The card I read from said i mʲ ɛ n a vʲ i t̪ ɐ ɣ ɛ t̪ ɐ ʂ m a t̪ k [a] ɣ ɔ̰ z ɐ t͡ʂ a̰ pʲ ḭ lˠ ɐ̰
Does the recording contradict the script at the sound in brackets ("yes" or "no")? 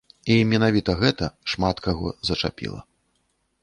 no